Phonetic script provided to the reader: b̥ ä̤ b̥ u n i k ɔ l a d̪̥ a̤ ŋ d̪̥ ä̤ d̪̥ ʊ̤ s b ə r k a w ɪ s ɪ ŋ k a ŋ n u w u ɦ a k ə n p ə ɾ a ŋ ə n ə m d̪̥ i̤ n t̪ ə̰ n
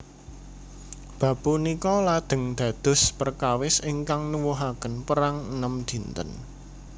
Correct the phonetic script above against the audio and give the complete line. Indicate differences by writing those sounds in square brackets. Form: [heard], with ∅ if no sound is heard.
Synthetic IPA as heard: b̥ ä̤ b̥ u n i k ɔ l a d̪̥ [ə̤] ŋ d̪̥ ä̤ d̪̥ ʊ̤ s [p] ə r k a w ɪ s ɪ ŋ k a ŋ n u w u ɦ a k ə n p ə ɾ a ŋ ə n ə m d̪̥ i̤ n t̪ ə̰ n